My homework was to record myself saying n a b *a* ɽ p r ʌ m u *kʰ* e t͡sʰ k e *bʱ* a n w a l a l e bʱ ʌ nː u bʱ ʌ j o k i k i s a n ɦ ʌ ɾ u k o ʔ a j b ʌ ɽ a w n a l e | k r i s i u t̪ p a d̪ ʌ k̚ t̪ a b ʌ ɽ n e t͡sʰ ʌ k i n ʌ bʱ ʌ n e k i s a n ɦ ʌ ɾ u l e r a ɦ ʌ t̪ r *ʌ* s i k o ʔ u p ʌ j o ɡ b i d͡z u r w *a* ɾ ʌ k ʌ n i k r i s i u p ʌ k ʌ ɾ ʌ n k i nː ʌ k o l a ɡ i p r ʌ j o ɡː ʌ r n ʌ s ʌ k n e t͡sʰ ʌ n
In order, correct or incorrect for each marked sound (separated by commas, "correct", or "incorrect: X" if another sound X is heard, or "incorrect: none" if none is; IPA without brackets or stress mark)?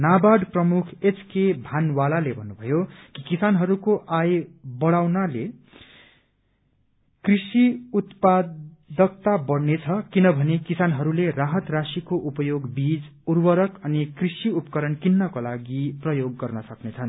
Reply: correct, correct, correct, incorrect: a, incorrect: ʌ